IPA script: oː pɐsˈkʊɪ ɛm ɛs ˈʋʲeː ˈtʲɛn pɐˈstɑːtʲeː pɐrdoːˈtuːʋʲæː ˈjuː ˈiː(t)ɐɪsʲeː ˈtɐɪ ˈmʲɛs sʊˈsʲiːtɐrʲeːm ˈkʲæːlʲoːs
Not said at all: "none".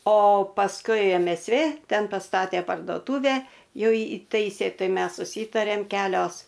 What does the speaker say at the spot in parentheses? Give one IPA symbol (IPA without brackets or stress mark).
t